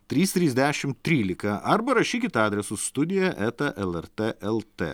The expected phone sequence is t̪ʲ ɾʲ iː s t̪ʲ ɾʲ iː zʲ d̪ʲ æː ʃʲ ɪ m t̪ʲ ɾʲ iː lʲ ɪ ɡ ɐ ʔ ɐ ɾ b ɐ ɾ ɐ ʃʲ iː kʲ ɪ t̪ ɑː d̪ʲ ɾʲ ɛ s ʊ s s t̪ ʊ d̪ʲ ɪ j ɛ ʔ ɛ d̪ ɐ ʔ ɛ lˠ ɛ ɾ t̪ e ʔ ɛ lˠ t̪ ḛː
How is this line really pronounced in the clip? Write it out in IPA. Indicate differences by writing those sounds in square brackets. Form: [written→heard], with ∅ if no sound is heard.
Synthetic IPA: t̪ʲ ɾʲ iː s t̪ʲ ɾʲ iː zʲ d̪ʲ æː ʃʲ ɪ m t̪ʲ ɾʲ iː lʲ ɪ [ɡ→k] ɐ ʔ ɐ ɾ b ɐ ɾ ɐ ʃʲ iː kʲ ɪ t̪ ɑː d̪ʲ ɾʲ ɛ s ʊ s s t̪ ʊ d̪ʲ ɪ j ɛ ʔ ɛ [d̪→t̪] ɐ ʔ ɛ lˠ ɛ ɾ t̪ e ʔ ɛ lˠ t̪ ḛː